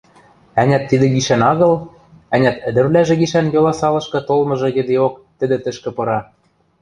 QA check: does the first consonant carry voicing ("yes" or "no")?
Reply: yes